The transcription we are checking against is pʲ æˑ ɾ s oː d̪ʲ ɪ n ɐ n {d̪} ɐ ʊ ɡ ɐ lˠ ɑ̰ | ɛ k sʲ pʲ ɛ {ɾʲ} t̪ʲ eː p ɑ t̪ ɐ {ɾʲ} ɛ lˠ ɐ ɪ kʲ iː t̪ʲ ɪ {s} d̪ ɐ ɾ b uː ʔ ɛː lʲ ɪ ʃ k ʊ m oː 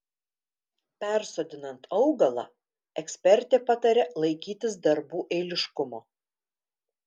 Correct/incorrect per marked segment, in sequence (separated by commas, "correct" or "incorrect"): incorrect, correct, correct, correct